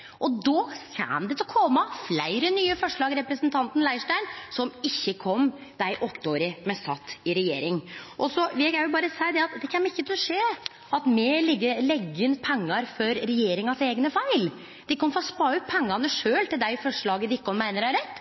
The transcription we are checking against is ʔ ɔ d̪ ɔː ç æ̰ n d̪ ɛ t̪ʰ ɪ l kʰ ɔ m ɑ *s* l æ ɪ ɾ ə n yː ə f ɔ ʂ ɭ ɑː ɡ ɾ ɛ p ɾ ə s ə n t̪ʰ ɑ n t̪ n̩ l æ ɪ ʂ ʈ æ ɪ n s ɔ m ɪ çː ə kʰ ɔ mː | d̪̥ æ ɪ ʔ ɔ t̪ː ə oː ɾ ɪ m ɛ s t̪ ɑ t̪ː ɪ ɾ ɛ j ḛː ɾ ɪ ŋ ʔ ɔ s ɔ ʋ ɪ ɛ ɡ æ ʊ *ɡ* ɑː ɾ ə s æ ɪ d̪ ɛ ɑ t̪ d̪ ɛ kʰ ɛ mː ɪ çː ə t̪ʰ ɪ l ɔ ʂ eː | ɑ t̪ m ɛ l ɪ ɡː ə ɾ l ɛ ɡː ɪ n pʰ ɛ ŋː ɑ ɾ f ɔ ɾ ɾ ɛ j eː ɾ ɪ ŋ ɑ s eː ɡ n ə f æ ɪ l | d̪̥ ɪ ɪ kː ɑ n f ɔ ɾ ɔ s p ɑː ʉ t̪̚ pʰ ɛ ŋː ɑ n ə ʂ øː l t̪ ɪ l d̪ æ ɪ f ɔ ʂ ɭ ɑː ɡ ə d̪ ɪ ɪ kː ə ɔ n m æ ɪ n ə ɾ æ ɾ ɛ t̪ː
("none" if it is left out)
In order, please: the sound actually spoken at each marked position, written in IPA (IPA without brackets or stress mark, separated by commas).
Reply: f, b